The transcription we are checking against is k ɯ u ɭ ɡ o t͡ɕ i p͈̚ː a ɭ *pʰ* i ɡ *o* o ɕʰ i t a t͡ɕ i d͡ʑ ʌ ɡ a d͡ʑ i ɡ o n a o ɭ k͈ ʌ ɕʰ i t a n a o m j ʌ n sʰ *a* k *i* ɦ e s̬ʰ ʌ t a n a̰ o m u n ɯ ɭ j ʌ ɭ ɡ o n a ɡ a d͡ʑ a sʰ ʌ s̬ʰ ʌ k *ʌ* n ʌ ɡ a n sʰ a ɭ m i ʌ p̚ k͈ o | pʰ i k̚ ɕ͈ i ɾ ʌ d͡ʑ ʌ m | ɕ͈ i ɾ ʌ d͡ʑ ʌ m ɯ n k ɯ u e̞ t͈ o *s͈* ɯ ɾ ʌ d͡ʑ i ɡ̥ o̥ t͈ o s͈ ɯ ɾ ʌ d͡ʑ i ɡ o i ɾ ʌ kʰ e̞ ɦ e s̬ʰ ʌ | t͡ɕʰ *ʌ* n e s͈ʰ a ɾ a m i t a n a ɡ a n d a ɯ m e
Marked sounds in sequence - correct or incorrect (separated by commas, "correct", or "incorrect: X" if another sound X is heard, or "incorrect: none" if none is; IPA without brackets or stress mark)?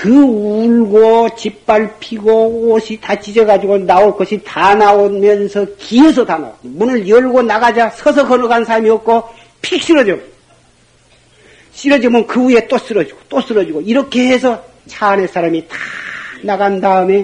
correct, correct, incorrect: ʌ, correct, correct, correct, incorrect: a